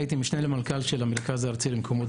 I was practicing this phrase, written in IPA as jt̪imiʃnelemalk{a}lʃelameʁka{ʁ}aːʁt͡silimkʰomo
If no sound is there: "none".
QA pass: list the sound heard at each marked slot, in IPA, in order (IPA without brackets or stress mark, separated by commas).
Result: a, z